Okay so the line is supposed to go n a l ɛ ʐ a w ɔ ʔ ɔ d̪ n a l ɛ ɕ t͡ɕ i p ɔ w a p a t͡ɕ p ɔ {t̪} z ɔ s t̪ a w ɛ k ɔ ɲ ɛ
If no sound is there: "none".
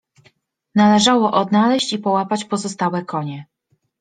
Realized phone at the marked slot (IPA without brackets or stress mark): none